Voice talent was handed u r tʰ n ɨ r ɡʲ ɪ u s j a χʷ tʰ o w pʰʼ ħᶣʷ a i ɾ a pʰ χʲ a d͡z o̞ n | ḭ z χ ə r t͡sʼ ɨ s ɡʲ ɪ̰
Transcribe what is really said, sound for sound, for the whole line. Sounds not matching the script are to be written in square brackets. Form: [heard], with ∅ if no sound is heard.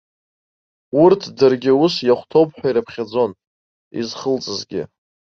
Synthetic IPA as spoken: u r tʰ [d] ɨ r ɡʲ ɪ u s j a χʷ tʰ o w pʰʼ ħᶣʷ a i ɾ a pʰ χʲ a d͡z o̞ n | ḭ z χ ə [l] t͡sʼ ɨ [z] ɡʲ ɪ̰